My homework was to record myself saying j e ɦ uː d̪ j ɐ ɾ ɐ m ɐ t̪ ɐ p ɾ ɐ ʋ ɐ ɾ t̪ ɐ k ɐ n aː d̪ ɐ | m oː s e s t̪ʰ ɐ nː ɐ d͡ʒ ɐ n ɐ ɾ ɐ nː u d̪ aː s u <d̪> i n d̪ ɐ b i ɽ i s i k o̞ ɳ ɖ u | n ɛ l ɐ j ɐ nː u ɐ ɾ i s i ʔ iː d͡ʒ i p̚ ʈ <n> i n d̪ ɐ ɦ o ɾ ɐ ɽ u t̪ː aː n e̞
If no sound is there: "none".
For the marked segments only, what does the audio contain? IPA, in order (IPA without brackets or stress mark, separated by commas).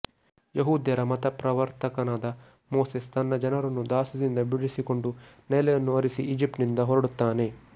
d̪, n